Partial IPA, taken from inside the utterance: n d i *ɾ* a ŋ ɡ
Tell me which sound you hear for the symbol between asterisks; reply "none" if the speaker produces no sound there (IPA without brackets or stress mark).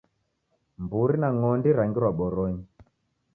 ɾ